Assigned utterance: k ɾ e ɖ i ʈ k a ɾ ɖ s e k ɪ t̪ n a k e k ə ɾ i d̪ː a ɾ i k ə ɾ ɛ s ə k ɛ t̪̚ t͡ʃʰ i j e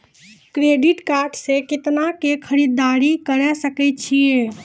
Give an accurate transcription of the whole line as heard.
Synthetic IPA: k ɾ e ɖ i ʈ k a ɾ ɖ s e k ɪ t̪ n a k e kʰ ə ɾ i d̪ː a ɾ i k ə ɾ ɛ s ə k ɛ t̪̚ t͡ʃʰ i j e